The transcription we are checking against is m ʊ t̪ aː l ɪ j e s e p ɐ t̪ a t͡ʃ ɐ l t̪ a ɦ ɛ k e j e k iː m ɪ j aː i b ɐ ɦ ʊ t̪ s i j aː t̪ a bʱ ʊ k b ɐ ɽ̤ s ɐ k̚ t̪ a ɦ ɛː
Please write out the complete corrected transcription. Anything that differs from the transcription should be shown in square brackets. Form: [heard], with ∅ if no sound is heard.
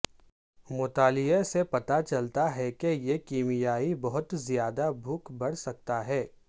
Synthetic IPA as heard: m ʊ t̪ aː l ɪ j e s e p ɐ t̪ a t͡ʃ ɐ l t̪ a ɦ ɛ k e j e k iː m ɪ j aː i b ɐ ɦ ʊ t̪ [z] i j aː [d̪] a bʱ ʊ k b ɐ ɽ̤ s ɐ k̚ t̪ a ɦ ɛː